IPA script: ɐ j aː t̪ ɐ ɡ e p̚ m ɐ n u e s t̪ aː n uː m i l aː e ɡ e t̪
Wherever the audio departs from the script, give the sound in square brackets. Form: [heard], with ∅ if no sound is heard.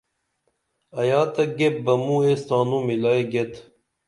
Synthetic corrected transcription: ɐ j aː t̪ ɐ ɡ e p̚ [b] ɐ [m] u e s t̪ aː n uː m i l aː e ɡ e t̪